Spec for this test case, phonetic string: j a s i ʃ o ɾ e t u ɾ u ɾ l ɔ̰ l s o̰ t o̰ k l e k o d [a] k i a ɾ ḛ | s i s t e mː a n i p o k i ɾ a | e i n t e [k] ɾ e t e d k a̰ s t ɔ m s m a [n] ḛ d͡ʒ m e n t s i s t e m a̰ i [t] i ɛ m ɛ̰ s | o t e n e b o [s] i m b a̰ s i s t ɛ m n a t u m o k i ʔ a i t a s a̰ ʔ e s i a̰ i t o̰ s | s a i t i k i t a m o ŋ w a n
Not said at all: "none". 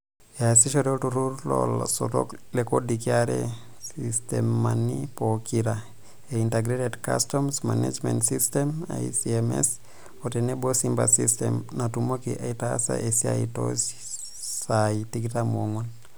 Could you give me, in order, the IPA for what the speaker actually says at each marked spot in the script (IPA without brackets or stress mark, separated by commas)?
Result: i, ɡ, n, s, s